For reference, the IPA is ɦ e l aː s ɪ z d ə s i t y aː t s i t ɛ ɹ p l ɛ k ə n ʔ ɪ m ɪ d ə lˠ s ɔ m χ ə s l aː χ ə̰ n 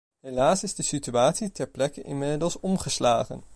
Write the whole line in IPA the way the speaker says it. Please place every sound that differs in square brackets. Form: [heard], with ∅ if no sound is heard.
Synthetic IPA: ɦ e l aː s ɪ z d ə s i t y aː t s i t ɛ ɹ p l ɛ k ə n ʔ ɪ m ɪ d ə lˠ s ɔ m χ ə s l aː χ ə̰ n

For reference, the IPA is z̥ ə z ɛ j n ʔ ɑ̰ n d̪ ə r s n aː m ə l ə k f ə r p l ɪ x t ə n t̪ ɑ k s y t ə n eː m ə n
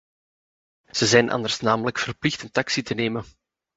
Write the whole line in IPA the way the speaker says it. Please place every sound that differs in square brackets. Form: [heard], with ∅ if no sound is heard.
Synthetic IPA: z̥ ə z ɛ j n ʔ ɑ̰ n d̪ ə r s n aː m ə l ə k f ə r p l ɪ x t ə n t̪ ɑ k s [i] t ə n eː m ə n

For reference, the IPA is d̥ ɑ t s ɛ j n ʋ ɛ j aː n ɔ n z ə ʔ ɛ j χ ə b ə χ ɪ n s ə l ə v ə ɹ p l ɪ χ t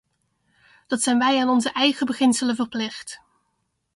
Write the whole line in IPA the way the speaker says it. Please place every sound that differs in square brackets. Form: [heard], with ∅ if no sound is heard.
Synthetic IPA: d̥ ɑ t s ɛ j n ʋ ɛ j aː n ɔ n z ə ʔ ɛ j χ ə b ə χ ɪ n s ə l ə v ə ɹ p l ɪ χ t

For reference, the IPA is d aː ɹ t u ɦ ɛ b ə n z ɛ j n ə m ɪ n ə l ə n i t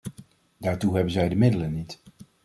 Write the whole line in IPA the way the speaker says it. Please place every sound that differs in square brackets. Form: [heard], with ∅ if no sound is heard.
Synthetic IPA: d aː ɹ t u ɦ ɛ b ə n z ɛ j [d] ə m ɪ [d] ə l ə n i t

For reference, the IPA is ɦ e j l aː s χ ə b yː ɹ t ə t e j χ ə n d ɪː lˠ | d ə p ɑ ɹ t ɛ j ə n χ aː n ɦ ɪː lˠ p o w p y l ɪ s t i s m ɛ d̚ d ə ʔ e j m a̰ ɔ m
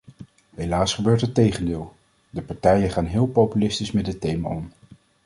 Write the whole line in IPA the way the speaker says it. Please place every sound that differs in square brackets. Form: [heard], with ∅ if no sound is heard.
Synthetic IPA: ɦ e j l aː s χ ə b [øː] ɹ t ə t e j χ ə n d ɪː lˠ | d ə p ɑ ɹ t ɛ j ə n χ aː n ɦ ɪː lˠ p o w p y l ɪ s t i s m ɛ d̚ d ə [t] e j m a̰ ɔ m

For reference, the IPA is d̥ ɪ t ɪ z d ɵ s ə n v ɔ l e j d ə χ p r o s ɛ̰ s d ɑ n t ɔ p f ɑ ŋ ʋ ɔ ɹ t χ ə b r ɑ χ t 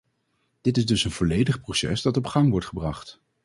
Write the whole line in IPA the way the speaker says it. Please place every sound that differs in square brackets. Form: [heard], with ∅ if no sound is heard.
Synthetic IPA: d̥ ɪ t ɪ z d ɵ s ə n v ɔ l e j d ə χ p r o s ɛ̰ s d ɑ [∅] t ɔ p [χ] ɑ ŋ ʋ ɔ ɹ t χ ə b r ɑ χ t

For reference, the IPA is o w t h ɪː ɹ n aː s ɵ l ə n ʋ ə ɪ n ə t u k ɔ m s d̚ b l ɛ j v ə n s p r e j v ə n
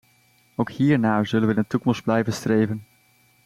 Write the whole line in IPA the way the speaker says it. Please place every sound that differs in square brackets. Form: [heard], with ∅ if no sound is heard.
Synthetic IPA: o w [k] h [iː] ɹ n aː [z] ɵ l ə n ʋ ə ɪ n ə t u k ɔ m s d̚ b l ɛ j v ə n s [t] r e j v ə n

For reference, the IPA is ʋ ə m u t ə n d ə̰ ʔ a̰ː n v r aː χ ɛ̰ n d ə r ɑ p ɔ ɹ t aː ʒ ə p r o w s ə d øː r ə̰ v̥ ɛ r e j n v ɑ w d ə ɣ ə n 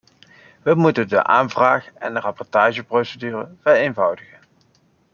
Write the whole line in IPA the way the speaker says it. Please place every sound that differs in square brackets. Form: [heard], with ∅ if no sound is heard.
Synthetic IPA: ʋ ə m u t ə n d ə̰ ʔ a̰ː n v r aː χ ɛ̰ n d ə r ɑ p ɔ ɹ t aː ʒ ə p r o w s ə d [yː] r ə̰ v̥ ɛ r e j n v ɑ w d ə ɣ ə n

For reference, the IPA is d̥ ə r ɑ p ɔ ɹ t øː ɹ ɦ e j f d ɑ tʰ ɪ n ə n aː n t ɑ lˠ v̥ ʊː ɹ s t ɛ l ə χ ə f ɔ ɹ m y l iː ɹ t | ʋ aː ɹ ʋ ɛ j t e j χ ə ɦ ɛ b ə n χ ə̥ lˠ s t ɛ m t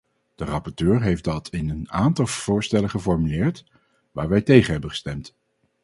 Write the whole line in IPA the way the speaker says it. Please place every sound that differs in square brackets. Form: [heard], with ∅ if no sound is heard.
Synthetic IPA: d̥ ə r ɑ p ɔ ɹ t øː ɹ ɦ e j f d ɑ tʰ ɪ n ə n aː n t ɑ lˠ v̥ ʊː ɹ s t ɛ l ə χ ə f ɔ ɹ m y l [ɪː] ɹ t | ʋ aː ɹ ʋ ɛ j t e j χ ə ɦ ɛ b ə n χ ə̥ [∅] s t ɛ m t

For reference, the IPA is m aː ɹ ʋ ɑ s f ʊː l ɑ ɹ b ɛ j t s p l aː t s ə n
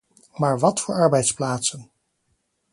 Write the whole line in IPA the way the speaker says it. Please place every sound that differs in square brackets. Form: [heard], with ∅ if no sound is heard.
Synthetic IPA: m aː ɹ ʋ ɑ [t] f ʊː [ɹ] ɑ ɹ b ɛ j t s p l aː t s ə n

